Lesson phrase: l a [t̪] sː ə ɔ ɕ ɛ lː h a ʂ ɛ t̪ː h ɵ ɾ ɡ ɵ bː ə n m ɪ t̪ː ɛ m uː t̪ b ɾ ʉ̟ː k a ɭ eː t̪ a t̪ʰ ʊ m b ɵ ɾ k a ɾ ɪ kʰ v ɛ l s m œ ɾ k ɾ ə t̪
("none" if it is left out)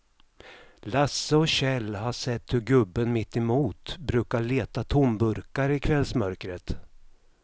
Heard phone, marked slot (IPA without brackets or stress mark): none